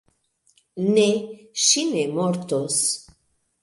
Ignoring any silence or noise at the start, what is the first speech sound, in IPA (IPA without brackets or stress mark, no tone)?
n